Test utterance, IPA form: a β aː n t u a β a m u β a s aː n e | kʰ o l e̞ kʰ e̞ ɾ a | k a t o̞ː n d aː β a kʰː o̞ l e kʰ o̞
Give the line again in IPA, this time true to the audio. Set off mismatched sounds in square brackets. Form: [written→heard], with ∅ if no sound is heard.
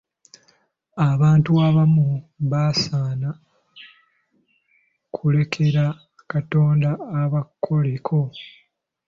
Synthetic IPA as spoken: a β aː n t u a β a m u β a s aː n [e→a] | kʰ [o→u] l e̞ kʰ e̞ ɾ a | k a t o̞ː n d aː β a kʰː o̞ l e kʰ o̞